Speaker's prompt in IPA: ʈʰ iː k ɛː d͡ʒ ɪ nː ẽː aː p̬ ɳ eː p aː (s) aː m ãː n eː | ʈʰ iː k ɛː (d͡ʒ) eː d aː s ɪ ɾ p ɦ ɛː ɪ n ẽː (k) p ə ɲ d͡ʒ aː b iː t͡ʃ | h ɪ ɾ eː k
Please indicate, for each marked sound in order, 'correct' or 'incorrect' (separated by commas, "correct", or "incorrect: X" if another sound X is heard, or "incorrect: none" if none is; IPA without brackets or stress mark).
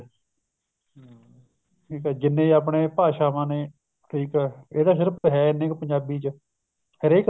incorrect: ʃ, incorrect: none, correct